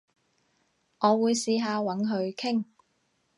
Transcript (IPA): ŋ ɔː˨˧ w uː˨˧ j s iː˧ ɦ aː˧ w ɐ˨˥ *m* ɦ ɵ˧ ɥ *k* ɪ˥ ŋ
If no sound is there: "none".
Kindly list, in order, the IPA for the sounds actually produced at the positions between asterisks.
n, kʰ

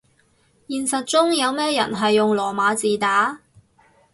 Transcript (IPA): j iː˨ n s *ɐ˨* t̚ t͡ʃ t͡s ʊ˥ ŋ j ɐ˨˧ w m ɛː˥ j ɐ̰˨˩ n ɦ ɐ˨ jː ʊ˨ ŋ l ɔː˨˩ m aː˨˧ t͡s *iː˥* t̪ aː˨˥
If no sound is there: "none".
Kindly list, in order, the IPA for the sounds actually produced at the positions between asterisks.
ɐ˨, iː˨

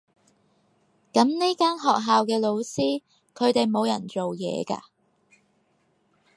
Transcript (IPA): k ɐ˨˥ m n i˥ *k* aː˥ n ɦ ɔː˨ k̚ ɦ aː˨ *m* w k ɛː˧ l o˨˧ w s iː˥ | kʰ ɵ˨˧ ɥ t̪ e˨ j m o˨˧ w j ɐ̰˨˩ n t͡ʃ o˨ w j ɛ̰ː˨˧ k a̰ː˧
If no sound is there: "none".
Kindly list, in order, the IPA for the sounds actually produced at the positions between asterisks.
k, none

